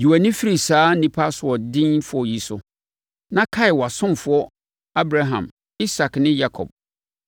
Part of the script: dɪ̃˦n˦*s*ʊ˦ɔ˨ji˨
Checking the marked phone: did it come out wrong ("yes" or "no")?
yes